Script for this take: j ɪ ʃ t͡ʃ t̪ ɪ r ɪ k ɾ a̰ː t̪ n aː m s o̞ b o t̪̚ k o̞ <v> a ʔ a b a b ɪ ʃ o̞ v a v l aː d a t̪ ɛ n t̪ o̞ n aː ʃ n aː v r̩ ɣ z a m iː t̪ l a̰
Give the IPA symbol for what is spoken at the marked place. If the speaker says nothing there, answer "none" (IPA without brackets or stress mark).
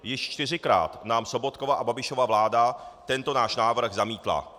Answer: v